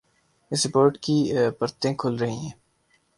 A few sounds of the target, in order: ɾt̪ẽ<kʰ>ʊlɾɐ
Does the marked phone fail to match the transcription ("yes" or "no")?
no